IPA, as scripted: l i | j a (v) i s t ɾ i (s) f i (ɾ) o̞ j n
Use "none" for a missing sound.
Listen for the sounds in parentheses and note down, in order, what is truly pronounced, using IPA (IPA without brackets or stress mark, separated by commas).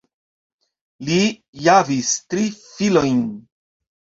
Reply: v, none, l